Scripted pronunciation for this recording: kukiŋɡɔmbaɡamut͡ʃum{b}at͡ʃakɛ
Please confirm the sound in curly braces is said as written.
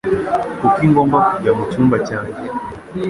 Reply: yes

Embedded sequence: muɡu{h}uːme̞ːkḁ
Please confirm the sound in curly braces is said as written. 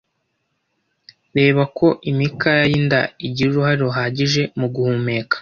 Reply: yes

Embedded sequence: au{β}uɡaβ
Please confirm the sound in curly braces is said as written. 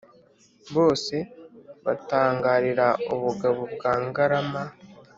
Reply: yes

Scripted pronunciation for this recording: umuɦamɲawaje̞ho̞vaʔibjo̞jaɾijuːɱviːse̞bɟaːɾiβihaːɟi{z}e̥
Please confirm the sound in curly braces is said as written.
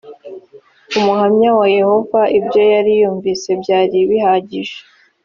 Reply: no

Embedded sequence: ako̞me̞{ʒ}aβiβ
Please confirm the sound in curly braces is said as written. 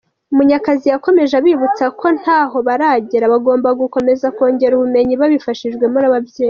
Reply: yes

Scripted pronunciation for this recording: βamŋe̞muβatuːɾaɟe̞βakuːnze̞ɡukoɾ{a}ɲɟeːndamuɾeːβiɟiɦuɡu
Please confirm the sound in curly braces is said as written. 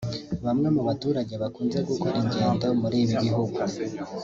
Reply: no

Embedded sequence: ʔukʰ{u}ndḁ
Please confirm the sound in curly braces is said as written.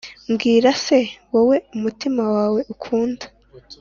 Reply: no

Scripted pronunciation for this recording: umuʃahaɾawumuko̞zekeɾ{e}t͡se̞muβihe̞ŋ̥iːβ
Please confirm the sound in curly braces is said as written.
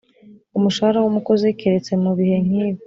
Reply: yes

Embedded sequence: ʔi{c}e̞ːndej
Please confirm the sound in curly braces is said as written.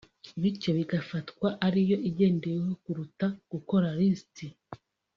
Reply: no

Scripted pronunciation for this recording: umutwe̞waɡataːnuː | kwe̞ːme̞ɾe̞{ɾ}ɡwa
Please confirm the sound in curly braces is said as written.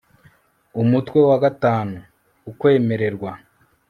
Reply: yes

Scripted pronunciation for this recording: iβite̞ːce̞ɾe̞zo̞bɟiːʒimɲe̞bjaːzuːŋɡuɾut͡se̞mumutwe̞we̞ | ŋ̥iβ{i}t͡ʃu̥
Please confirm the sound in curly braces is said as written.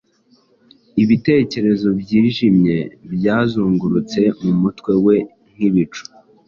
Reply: yes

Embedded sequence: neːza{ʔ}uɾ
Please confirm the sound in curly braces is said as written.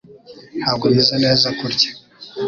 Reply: no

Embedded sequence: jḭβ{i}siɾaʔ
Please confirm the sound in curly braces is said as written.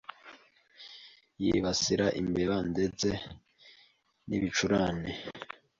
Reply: no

